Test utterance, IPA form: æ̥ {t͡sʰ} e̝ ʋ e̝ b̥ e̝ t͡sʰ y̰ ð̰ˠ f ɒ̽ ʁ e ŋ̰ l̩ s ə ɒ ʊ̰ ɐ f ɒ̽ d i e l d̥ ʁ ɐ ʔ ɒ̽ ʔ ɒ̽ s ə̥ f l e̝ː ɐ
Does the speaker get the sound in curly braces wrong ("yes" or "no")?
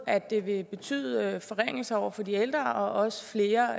yes